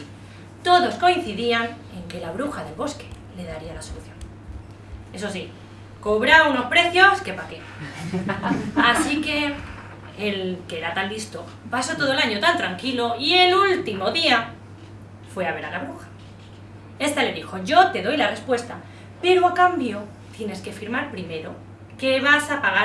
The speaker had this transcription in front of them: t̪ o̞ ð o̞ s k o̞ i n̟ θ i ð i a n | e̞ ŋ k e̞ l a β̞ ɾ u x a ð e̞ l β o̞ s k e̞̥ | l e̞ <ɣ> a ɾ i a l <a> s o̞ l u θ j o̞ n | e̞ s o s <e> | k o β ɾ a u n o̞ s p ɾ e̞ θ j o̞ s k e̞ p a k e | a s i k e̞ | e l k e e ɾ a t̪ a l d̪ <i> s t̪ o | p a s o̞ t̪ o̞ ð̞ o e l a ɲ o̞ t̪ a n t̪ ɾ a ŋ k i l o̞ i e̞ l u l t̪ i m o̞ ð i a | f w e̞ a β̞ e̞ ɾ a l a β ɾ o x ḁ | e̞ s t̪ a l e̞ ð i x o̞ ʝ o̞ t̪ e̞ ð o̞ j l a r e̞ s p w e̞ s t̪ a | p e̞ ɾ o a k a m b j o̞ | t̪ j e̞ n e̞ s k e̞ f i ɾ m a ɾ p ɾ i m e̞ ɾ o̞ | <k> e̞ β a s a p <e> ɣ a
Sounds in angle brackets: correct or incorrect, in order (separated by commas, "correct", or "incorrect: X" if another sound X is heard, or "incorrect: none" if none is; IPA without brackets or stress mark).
incorrect: ð, correct, incorrect: i, correct, correct, incorrect: a